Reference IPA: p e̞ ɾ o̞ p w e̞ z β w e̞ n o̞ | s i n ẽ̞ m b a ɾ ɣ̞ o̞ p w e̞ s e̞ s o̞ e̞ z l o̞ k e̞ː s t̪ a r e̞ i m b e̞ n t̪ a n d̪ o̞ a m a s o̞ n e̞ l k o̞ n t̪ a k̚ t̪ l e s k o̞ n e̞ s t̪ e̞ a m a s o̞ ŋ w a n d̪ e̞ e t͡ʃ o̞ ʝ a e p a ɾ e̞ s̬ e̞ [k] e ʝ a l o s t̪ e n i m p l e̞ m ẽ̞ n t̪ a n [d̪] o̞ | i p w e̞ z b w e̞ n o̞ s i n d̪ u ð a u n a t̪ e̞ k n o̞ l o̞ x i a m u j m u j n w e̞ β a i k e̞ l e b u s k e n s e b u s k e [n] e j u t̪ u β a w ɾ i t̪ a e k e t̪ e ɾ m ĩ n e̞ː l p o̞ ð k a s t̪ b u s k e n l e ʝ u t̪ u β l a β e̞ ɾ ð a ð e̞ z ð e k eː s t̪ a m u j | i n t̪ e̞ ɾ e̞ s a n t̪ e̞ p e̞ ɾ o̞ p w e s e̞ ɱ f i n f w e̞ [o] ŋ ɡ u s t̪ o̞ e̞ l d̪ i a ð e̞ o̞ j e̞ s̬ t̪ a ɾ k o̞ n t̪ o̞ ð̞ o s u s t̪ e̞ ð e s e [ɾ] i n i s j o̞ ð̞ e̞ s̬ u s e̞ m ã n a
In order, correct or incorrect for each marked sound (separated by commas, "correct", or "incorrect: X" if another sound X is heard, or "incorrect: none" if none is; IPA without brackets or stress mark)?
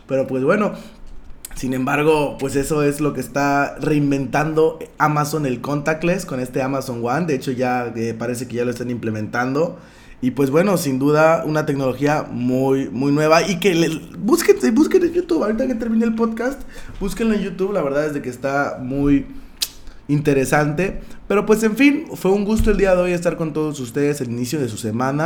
correct, correct, correct, incorrect: u, incorrect: l